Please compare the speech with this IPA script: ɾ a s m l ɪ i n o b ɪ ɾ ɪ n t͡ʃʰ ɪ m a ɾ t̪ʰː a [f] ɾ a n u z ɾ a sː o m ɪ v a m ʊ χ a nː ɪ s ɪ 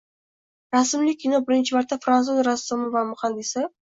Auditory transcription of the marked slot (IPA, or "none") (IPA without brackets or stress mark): f